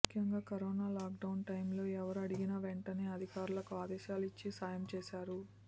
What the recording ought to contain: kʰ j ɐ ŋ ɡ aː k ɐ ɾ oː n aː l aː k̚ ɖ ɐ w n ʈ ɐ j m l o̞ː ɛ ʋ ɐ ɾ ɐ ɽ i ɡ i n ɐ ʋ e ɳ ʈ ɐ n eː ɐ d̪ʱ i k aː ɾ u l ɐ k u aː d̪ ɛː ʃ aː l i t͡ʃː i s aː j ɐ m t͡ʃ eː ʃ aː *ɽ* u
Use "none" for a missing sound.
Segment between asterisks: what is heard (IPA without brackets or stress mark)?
ɾ